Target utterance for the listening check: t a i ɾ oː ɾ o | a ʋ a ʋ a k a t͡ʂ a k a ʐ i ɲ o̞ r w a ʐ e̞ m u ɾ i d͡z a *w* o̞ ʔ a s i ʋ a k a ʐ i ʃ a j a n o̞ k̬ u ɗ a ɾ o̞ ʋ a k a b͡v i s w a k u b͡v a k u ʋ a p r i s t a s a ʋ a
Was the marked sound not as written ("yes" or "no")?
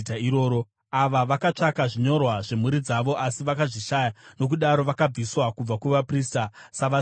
yes